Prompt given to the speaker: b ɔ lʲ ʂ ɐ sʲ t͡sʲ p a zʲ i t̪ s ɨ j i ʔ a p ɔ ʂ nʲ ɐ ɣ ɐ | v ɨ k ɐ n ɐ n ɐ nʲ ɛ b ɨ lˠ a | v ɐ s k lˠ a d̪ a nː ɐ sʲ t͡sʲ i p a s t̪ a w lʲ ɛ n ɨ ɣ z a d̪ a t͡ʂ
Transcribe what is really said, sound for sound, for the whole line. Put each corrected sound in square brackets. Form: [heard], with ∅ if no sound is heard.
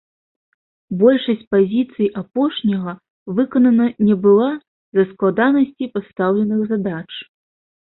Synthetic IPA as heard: b ɔ lʲ ʂ ɐ sʲ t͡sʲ p a zʲ i t̪ s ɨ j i ʔ a p ɔ ʂ nʲ ɐ ɣ ɐ | v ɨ k ɐ n ɐ n ɐ nʲ ɛ b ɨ lˠ a | [z] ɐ s k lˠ a d̪ a [n] ɐ sʲ t͡sʲ i p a s t̪ a w lʲ ɛ n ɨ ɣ z a d̪ a t͡ʂ